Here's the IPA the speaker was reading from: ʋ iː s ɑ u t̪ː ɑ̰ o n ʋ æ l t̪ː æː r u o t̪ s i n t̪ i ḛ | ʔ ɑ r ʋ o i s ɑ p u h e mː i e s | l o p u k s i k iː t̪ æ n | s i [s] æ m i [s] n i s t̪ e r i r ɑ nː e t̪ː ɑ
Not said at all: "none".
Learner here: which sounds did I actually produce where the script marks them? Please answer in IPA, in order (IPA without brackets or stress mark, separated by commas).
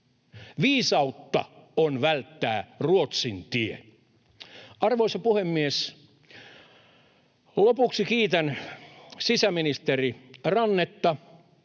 s, none